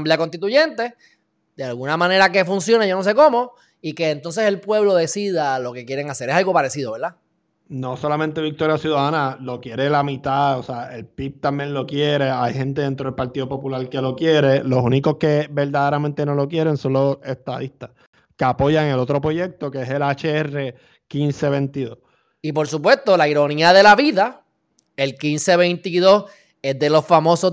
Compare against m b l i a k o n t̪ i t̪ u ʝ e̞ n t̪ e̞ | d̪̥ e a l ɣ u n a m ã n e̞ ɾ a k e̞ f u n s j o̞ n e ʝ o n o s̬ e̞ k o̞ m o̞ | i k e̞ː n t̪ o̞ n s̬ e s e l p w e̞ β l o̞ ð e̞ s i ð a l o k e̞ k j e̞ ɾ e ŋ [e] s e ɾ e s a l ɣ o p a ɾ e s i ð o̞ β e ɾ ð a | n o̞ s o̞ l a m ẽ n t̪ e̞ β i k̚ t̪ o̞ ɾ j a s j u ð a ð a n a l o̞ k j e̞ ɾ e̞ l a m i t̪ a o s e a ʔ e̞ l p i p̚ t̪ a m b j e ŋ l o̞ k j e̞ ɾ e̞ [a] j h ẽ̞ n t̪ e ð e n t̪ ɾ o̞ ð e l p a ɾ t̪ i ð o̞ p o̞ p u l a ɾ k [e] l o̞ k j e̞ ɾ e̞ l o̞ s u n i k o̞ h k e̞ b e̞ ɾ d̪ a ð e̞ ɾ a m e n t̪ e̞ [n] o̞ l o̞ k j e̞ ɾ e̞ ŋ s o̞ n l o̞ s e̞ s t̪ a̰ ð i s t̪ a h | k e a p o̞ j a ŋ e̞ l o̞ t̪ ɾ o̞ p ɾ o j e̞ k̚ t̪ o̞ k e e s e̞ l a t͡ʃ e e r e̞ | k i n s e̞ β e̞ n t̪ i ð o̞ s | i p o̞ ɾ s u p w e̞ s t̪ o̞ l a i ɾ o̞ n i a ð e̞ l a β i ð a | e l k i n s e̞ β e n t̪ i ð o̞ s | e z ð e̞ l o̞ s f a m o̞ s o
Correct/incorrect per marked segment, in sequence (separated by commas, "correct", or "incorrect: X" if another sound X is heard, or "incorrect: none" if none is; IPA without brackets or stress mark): incorrect: a, correct, correct, correct